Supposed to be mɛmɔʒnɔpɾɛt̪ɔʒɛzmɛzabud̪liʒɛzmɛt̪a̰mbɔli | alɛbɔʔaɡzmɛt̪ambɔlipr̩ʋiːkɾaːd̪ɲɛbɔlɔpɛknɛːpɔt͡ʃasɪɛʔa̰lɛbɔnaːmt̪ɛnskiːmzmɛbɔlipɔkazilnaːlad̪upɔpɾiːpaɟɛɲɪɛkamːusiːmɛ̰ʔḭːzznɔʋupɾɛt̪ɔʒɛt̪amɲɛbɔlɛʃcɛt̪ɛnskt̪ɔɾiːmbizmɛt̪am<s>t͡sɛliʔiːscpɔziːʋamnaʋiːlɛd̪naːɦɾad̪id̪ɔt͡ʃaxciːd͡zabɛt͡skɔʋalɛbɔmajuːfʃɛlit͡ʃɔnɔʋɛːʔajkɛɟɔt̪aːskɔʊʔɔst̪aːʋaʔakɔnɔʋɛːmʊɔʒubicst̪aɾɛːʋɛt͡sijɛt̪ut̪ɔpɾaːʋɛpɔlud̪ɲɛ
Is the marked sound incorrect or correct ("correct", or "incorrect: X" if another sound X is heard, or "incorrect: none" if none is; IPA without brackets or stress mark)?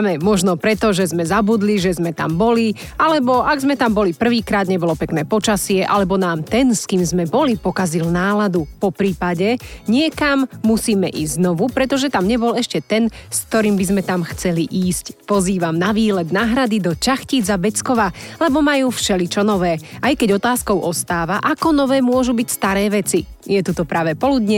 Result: incorrect: x